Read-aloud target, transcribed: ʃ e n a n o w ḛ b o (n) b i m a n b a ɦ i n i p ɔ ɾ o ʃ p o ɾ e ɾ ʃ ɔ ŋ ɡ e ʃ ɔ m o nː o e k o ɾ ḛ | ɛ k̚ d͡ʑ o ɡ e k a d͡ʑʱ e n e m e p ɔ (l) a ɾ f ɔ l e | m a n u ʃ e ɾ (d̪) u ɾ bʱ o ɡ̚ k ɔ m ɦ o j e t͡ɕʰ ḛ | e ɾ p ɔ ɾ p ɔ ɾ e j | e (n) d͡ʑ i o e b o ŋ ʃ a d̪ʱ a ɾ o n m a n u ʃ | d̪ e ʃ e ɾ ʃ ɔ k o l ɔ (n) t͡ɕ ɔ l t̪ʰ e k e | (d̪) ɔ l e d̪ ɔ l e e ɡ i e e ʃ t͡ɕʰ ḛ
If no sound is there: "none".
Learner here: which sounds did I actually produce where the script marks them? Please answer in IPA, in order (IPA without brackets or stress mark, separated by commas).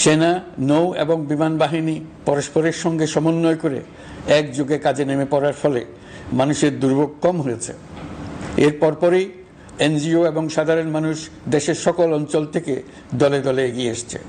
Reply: ŋ, ɾ, d̪, n, n, d̪